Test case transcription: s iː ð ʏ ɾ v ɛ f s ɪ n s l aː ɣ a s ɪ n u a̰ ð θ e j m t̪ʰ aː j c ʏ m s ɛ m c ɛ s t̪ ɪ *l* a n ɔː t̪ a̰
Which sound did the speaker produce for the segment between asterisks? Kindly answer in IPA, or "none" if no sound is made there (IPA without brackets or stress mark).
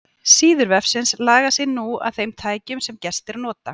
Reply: ɾ